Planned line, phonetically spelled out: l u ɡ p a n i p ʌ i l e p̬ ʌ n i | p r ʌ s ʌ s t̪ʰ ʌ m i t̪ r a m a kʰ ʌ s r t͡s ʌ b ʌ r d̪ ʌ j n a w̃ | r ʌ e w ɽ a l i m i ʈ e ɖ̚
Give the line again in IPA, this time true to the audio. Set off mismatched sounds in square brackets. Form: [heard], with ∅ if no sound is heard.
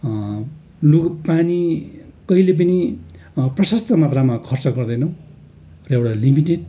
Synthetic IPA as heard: l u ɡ p a n i [k] ʌ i l e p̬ ʌ n i | p r ʌ s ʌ s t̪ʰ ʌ m [a] t̪ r a m a kʰ ʌ [∅] r t͡s ʌ [ɡ] ʌ r d̪ ʌ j n [ʌ] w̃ | r ʌ e w ɽ a l i m i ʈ e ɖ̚

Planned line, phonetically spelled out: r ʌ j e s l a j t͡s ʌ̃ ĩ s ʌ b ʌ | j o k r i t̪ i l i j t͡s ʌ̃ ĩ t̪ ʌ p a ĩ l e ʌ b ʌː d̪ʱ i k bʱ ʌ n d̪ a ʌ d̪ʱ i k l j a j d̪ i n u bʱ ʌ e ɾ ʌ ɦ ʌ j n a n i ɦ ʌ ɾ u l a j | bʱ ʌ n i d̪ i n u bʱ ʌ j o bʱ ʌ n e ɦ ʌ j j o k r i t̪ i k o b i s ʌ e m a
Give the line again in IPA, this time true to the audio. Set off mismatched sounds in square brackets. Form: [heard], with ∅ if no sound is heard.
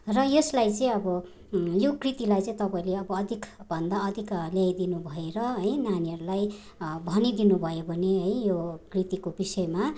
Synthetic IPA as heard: r ʌ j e s l a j t͡s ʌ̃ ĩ [∅] ʌ b ʌ | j o k r i t̪ i l [a] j t͡s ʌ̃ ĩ t̪ ʌ p a ĩ l e ʌ b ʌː d̪ʱ i k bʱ ʌ n d̪ a ʌ d̪ʱ i k l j a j d̪ i n u bʱ ʌ e ɾ ʌ ɦ ʌ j n a n i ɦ ʌ ɾ u l a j | bʱ ʌ n i d̪ i n u bʱ ʌ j o bʱ ʌ n e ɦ ʌ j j o k r i t̪ i k o b i s ʌ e m a

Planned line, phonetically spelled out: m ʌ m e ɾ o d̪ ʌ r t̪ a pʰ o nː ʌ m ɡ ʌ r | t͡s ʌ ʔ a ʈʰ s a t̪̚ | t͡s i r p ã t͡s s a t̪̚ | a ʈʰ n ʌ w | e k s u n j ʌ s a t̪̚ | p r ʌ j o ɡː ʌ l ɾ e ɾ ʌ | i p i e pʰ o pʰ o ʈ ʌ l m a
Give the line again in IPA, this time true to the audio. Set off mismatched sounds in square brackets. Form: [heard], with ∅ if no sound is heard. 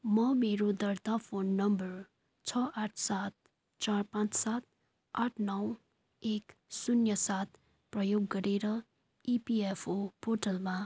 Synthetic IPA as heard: m ʌ m e ɾ o d̪ ʌ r t̪ a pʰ o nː ʌ m [b] ʌ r | [t͡sʰ] ʌ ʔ a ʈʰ s a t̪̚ | t͡s [a] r p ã t͡s s a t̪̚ | a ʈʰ n ʌ w | e k s u n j ʌ s a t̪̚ | p r ʌ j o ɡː ʌ [∅] ɾ e ɾ ʌ | i p i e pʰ o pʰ o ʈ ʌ l m a

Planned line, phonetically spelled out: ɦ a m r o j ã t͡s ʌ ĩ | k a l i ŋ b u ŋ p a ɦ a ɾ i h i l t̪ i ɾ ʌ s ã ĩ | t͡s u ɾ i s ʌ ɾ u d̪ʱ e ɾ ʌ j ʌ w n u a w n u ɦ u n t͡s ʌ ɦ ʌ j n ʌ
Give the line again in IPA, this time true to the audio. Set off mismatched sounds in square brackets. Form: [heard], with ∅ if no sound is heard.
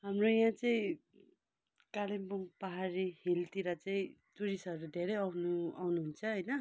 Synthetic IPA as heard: ɦ a m r o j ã t͡s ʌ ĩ | k a l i [m] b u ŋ p a ɦ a ɾ i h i l t̪ i ɾ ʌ [t͡s] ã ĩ | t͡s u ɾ i s ʌ ɾ u d̪ʱ e ɾ ʌ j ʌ w n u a w n u ɦ u n [t͡sʰ] ʌ ɦ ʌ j n ʌ

